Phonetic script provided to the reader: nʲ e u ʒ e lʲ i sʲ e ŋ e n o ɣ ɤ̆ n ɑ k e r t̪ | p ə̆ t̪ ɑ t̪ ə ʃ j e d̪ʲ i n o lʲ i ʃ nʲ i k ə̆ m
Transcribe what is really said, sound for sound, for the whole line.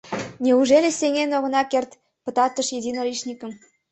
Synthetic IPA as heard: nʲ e u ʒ e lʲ e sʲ e ŋ e n o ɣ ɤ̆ n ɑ k e r t̪ | p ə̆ t̪ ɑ t̪ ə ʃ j e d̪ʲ i n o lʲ i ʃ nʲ i k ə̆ m